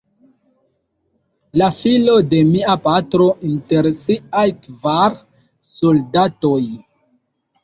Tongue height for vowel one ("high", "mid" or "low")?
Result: low